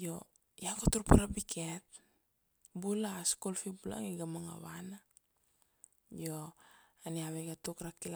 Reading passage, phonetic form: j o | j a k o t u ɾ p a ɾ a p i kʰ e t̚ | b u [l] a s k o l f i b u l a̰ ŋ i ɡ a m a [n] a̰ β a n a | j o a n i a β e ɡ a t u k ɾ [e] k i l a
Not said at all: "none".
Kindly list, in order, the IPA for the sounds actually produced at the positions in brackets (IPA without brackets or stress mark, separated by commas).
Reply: l, ŋ, a